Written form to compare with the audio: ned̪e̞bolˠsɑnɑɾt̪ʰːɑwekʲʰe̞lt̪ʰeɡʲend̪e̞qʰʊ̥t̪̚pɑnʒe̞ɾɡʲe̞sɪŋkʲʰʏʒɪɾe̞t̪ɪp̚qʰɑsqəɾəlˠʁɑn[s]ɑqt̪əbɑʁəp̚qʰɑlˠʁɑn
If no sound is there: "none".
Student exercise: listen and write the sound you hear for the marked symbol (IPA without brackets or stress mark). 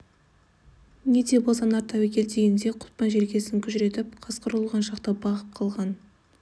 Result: ʃ